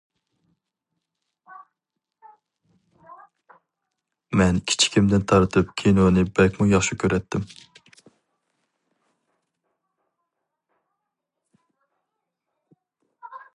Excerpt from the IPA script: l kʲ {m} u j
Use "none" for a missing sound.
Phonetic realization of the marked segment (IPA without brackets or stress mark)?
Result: m